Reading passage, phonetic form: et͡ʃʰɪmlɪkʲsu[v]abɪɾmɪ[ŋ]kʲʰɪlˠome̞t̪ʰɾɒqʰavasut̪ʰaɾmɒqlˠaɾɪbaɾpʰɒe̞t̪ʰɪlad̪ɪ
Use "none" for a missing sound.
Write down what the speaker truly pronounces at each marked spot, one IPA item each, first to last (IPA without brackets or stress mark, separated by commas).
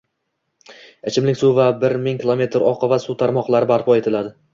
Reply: v, ŋ